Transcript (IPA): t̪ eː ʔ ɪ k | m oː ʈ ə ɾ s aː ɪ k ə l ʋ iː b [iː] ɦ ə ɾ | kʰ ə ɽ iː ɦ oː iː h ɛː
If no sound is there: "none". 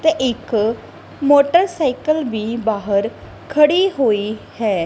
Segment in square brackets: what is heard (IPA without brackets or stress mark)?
aː